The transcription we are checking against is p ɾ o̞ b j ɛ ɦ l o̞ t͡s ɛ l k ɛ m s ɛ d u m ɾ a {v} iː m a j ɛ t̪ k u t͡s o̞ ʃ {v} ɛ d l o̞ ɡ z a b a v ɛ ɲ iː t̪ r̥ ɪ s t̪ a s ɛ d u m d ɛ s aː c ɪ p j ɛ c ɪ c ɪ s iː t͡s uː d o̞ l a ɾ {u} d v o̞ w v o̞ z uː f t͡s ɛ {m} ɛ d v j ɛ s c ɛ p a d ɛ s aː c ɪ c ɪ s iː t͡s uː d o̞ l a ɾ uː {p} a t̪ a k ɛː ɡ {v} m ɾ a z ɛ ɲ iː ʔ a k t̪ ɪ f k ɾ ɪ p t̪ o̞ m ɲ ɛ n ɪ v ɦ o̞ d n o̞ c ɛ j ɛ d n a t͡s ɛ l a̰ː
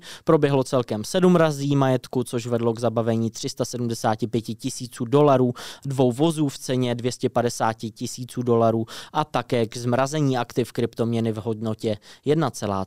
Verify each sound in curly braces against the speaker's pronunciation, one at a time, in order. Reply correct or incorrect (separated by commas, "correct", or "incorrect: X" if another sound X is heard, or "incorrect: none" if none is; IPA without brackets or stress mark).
incorrect: z, correct, incorrect: uː, incorrect: ɲ, incorrect: ʔ, incorrect: z